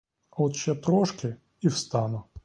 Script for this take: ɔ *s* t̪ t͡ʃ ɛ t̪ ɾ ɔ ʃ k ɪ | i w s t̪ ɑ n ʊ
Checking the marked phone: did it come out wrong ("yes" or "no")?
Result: yes